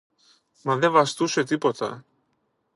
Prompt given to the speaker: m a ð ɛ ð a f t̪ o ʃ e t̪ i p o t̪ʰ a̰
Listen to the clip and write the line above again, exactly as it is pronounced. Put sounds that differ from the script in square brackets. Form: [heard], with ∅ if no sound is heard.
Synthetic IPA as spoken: m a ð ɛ [v] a [s] t̪ [u] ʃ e t̪ i p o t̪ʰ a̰